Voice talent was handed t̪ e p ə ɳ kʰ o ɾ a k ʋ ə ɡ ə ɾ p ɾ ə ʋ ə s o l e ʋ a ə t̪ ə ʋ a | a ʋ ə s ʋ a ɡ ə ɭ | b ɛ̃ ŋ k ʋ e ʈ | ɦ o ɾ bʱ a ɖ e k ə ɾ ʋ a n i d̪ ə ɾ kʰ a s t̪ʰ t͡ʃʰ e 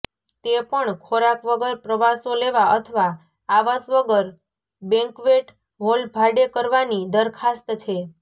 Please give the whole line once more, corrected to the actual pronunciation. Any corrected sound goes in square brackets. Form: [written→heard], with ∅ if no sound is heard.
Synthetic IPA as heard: t̪ e p ə ɳ kʰ o ɾ a k ʋ ə ɡ ə ɾ p ɾ ə ʋ [ə→a] s o l e ʋ a ə [t̪→t̪ʰ] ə ʋ a | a ʋ [ə→a] s ʋ [a→ə] ɡ ə [ɭ→ɾ] | b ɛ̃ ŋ k ʋ e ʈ | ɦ o [ɾ→l] bʱ a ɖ e k ə ɾ ʋ a n i d̪ ə ɾ kʰ a s [t̪ʰ→t̪] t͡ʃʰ e